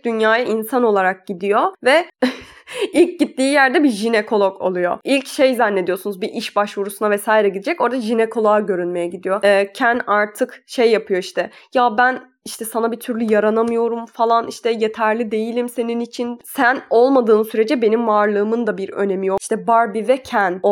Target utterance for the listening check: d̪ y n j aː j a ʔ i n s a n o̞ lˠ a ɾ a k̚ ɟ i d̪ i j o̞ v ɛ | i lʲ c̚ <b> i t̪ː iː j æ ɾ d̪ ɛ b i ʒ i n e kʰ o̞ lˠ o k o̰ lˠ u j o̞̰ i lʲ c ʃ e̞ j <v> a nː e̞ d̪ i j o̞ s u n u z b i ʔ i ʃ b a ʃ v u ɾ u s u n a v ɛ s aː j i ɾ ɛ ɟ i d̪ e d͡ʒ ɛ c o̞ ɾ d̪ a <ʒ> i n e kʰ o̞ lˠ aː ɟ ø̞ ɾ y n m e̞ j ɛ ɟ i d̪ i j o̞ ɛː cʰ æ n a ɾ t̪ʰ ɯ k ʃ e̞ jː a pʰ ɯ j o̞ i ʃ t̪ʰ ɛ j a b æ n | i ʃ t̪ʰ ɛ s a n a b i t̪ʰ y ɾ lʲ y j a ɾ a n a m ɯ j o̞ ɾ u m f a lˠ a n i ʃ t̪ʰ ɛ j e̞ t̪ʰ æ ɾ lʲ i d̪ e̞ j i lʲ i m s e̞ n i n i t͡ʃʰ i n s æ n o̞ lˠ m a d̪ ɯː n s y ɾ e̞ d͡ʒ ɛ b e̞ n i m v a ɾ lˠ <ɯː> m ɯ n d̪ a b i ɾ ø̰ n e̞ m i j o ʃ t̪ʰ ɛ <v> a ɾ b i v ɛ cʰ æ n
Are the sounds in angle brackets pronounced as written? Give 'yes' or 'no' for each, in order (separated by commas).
no, no, yes, yes, no